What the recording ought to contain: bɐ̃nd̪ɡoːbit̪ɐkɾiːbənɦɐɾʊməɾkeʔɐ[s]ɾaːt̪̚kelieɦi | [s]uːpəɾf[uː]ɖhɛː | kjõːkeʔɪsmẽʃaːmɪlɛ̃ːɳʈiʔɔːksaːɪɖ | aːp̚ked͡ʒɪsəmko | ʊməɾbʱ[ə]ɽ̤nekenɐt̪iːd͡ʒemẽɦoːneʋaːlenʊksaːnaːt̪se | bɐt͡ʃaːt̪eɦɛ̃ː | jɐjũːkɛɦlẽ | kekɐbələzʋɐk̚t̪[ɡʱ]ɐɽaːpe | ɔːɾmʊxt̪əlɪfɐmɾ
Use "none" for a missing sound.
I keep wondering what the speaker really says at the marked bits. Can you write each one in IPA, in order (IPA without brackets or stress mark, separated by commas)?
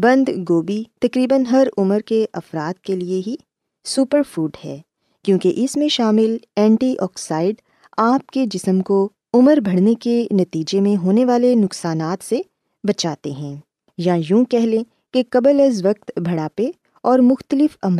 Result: f, s, uː, ɐ, bʱ